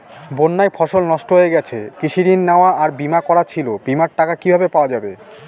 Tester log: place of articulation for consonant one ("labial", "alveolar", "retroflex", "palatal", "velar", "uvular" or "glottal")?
labial